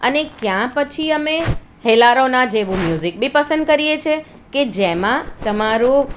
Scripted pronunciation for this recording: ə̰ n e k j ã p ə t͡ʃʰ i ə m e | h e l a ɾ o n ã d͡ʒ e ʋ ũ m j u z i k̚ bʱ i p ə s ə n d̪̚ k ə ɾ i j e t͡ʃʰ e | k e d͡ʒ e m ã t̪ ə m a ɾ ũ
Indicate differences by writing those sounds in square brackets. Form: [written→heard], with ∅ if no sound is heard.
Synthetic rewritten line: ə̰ n e k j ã p ə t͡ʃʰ i ə m e | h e l a ɾ o n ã d͡ʒ e ʋ ũ m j u z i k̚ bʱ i p ə s ə n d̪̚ k ə ɾ i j e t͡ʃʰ e | k e d͡ʒ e m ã t̪ ə m a ɾ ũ